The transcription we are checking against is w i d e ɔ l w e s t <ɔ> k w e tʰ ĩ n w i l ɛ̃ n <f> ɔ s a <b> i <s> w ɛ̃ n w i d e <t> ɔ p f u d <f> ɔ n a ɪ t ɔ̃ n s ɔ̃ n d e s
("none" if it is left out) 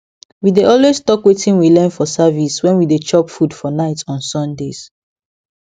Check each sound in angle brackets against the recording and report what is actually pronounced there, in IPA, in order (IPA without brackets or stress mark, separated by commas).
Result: ɔ, f, v, s, t͡ʃ, f